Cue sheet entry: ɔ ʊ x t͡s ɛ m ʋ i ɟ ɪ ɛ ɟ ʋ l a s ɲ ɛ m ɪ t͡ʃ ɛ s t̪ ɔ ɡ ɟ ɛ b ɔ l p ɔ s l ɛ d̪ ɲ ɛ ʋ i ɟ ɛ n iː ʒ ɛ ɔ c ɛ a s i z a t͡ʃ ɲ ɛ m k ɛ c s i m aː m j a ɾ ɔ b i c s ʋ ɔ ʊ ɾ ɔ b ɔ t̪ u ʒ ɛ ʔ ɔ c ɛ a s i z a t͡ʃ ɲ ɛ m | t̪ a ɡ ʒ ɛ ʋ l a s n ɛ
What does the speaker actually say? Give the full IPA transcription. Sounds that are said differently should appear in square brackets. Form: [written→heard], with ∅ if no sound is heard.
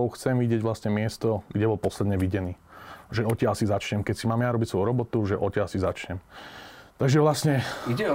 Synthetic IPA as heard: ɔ ʊ x t͡s ɛ m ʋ i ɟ ɪ ɛ ɟ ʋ l a s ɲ ɛ m ɪ [t͡ʃ→∅] ɛ s t̪ ɔ ɡ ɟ ɛ b ɔ l p ɔ s l ɛ d̪ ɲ ɛ ʋ i ɟ ɛ n iː ʒ ɛ ɔ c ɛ a s i z a t͡ʃ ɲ ɛ m k ɛ c s i m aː m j a ɾ ɔ b i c s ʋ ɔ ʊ ɾ ɔ b ɔ t̪ u ʒ ɛ ʔ ɔ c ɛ a s i z a t͡ʃ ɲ ɛ m | t̪ a ɡ ʒ ɛ ʋ l a s [n→ɲ] ɛ